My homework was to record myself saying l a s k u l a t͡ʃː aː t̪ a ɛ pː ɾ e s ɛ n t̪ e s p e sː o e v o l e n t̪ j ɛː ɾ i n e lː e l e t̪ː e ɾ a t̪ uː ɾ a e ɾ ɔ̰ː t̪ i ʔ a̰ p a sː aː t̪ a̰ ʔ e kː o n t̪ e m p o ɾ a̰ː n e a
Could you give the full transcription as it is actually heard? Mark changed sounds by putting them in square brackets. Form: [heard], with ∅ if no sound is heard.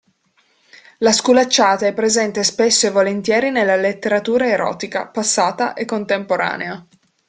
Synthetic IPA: l a s k u l a t͡ʃː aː t̪ a ɛ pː ɾ e [z] ɛ n t̪ e s p e sː o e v o l e n t̪ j ɛː ɾ i n e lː [a] l e t̪ː e ɾ a t̪ uː ɾ a e ɾ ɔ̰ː t̪ i [k] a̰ p a sː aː t̪ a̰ ʔ e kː o n t̪ e m p o ɾ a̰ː n e a